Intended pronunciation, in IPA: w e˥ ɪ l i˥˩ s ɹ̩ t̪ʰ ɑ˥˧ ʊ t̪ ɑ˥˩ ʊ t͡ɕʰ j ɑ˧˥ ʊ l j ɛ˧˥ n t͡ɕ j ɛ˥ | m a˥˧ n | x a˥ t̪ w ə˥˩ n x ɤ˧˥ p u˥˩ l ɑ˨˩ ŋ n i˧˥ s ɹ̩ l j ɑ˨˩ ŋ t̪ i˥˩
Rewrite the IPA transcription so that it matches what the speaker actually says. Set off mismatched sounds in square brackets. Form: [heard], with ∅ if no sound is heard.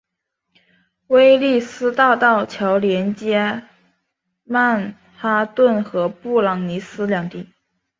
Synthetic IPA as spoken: w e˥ ɪ l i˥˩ s ɹ̩ [t̪] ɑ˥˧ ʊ t̪ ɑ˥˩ ʊ t͡ɕʰ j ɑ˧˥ ʊ l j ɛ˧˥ n t͡ɕ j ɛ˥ | m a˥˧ n | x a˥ t̪ w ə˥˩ n x ɤ˧˥ p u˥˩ l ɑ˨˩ ŋ n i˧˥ s ɹ̩ l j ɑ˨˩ ŋ t̪ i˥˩